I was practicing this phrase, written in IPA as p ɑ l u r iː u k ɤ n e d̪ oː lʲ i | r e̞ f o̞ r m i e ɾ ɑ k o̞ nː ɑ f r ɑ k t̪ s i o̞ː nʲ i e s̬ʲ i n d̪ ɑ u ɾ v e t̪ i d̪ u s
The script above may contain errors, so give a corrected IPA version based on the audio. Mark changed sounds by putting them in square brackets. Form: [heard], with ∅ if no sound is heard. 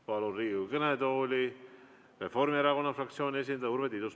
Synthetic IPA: p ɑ l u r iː u k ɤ n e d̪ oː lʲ i | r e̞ f o̞ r m i e ɾ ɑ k o̞ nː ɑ f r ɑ k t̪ s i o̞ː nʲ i e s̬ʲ i n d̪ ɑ u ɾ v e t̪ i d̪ u s